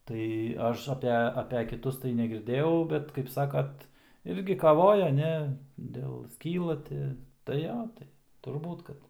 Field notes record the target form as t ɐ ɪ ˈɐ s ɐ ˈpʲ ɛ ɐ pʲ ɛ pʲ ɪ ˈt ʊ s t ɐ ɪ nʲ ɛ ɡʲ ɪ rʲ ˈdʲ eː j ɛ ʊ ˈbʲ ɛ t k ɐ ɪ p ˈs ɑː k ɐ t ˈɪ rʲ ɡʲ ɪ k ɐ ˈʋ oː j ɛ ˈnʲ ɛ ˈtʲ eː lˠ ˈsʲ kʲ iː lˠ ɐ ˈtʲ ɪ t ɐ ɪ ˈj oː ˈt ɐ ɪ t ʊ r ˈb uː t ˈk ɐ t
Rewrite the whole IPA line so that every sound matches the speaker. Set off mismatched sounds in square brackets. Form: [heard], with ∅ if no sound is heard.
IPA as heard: t ɐ ɪ ˈɐ [ʃ] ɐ ˈpʲ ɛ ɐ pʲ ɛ [kʲ] ɪ ˈt ʊ s t ɐ ɪ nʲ ɛ ɡʲ ɪ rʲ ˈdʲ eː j ɛ ʊ ˈbʲ ɛ t k ɐ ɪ p ˈs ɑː k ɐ t ˈɪ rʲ ɡʲ ɪ k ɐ ˈʋ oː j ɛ ˈnʲ ɛ [ˈdʲ] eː lˠ ˈsʲ kʲ iː lˠ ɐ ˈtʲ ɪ t ɐ ɪ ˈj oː ˈt ɐ ɪ t ʊ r ˈb uː t ˈk ɐ t